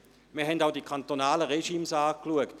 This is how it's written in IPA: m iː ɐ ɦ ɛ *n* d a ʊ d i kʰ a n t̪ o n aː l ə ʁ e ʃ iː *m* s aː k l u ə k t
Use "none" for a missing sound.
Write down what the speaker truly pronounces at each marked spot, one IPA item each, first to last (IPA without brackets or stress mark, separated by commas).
n, m